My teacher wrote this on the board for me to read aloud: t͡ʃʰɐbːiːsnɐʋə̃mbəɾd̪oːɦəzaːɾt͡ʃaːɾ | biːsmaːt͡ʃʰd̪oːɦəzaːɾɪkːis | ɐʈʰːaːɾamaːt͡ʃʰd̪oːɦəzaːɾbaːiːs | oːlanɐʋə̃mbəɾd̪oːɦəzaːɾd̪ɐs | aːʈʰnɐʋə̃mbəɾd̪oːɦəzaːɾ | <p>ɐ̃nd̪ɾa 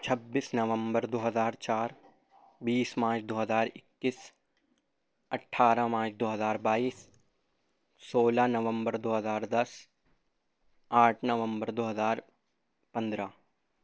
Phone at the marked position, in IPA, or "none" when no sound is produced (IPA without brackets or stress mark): p